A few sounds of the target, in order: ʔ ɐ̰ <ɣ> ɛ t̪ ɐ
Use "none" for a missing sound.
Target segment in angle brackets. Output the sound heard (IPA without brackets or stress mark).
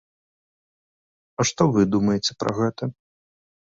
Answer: ɣ